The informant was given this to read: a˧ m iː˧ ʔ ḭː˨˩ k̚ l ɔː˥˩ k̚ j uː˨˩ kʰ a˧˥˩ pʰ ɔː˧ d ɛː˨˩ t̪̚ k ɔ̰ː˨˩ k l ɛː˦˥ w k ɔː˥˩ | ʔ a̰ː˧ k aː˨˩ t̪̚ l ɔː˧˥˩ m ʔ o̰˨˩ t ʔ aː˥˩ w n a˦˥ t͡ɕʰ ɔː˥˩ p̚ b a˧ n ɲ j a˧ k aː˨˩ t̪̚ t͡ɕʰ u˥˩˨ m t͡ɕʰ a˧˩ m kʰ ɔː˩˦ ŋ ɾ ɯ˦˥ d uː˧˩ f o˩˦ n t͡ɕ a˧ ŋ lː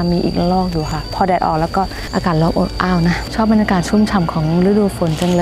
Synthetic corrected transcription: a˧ m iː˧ ʔ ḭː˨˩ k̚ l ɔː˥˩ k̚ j uː˨˩ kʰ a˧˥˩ pʰ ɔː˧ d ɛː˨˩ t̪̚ ʔ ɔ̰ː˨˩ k l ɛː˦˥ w k ɔː˥˩ | ʔ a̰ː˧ k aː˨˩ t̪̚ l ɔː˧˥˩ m ʔ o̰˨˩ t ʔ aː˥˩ w n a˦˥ t͡ɕʰ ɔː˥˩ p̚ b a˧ n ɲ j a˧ k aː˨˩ t̪̚ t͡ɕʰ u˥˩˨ m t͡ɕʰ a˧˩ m kʰ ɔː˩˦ ŋ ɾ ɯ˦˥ d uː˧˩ f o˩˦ n t͡ɕ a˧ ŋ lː